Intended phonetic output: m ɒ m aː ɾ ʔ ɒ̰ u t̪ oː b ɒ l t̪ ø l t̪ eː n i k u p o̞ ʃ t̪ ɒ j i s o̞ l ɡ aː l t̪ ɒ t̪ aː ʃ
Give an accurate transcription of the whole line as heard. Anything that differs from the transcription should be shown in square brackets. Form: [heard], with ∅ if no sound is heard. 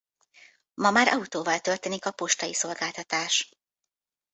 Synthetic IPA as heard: m ɒ m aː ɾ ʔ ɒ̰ u t̪ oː [v] ɒ l t̪ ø l t̪ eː n i k [ɒ] p o̞ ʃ t̪ ɒ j i s o̞ l ɡ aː l t̪ ɒ t̪ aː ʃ